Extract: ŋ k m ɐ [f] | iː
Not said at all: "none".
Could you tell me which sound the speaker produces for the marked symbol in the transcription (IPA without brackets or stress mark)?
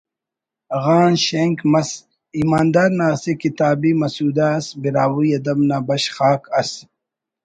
s